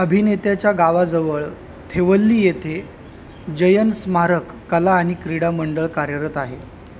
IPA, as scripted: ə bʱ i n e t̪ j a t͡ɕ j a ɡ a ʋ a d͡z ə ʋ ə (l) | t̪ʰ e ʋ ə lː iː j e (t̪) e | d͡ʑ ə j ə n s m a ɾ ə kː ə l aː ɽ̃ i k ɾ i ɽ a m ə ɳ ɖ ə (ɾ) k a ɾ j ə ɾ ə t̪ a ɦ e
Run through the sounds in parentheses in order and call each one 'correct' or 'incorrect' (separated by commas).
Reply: incorrect, incorrect, incorrect